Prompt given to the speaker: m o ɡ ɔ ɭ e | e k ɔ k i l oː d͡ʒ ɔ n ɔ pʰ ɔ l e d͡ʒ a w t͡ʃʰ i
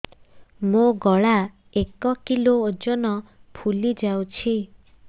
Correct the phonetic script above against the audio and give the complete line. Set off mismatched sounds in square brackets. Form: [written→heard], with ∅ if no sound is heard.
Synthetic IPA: m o ɡ ɔ ɭ [e→a] | e k ɔ k i l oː d͡ʒ ɔ n ɔ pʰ [ɔ→u] l [e→i] d͡ʒ a w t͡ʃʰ i